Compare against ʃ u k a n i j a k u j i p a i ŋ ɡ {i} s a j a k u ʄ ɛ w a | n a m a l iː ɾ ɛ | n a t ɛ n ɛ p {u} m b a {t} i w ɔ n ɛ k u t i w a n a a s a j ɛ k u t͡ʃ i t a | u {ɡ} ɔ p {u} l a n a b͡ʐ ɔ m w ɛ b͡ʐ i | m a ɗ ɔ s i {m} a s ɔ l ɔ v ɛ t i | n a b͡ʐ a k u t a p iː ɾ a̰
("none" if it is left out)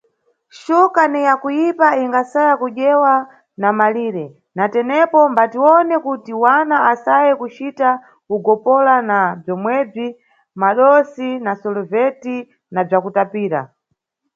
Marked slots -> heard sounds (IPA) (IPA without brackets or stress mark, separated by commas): a, ɔ, t, ɡ, ɔ, n